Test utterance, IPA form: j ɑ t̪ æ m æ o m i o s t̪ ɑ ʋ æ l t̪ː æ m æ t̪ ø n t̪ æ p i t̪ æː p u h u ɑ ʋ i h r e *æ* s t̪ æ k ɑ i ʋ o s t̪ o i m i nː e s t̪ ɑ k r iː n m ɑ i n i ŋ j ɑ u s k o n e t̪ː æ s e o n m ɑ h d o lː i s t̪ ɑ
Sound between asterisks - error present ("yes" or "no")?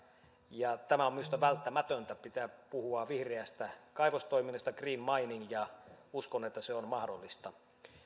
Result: no